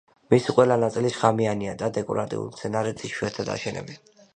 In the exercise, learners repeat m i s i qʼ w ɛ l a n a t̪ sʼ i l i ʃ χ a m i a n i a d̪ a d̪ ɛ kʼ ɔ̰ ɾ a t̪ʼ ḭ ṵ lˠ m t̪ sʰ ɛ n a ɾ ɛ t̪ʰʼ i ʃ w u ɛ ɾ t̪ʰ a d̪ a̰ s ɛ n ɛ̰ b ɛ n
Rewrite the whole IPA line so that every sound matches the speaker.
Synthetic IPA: m i s i qʼ w ɛ l a n a t̪ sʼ i l i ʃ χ a m i a n i a d̪ a d̪ ɛ kʼ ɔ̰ ɾ a t̪ʼ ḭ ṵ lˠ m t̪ sʰ ɛ n a ɾ ɛ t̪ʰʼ i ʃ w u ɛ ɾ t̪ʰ a d̪ a̰ ʃ ɛ n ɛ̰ b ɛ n